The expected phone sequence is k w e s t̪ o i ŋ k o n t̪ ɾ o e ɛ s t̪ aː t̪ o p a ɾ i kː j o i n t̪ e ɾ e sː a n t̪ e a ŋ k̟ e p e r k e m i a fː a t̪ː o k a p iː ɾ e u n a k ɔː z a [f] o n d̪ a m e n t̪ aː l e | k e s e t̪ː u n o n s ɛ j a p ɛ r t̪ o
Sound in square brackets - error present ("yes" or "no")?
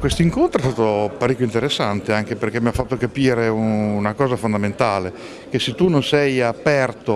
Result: no